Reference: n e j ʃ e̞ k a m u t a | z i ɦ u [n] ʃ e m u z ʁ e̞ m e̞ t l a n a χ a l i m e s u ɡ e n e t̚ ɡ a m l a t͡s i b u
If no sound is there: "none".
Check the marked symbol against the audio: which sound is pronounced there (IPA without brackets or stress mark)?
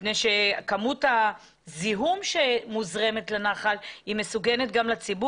m